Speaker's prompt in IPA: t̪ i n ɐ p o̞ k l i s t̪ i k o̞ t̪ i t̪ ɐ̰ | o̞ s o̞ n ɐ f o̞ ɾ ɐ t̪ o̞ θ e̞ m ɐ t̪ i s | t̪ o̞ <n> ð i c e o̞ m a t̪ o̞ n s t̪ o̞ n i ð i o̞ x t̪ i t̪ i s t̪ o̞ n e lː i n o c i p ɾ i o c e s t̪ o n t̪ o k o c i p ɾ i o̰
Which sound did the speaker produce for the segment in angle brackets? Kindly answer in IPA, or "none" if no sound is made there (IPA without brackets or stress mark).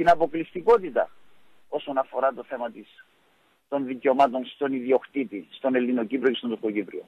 n